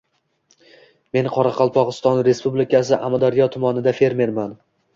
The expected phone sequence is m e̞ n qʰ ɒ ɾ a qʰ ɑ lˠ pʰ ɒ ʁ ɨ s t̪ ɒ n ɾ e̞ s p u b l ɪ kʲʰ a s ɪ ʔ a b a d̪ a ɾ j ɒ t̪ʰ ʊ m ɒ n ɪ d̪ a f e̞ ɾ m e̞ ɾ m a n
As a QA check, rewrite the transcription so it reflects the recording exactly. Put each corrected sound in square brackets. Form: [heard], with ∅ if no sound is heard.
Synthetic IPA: m e̞ n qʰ ɒ ɾ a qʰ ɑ lˠ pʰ ɒ ʁ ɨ s t̪ ɒ n ɾ e̞ s p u b l ɪ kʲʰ a s ɪ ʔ a [m] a d̪ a ɾ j ɒ t̪ʰ ʊ m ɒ n ɪ d̪ a f e̞ ɾ m e̞ ɾ m a n